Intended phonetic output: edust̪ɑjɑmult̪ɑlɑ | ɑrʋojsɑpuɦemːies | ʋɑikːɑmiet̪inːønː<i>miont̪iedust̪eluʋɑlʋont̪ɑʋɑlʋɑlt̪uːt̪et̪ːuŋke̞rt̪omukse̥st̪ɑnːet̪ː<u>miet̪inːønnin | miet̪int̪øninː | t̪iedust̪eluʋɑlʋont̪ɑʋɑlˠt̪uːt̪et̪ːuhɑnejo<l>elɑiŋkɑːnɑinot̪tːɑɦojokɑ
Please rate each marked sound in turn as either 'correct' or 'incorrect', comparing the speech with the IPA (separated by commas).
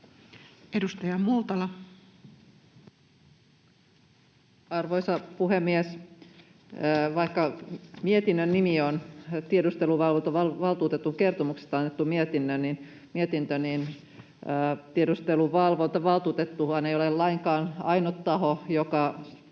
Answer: correct, correct, correct